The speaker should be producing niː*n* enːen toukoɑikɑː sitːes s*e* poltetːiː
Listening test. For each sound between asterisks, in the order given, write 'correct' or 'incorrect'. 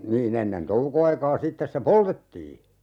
correct, correct

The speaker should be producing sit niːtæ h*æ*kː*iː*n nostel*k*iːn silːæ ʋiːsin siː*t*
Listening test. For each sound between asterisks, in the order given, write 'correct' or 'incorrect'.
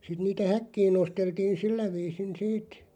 correct, correct, incorrect: t, correct

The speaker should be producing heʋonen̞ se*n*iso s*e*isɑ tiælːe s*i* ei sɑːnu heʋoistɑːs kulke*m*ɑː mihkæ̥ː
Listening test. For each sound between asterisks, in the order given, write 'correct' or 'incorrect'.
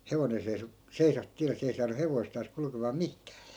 incorrect: none, correct, incorrect: e, correct

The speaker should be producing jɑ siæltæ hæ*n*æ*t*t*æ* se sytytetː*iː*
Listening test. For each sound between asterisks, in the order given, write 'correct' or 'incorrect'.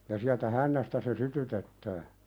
incorrect: nː, incorrect: s, correct, incorrect: æː

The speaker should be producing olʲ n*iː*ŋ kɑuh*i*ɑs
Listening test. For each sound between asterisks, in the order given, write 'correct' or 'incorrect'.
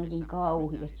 incorrect: i, correct

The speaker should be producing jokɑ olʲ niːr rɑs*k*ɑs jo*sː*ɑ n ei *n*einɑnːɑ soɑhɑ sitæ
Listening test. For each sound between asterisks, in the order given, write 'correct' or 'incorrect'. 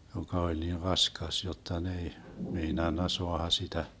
correct, incorrect: tː, incorrect: m

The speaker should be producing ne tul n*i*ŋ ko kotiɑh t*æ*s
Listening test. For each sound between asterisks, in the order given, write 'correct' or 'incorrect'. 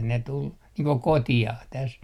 incorrect: iː, correct

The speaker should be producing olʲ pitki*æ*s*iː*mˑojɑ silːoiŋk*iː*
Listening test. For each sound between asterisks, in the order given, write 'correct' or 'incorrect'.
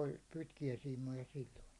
correct, correct, incorrect: i

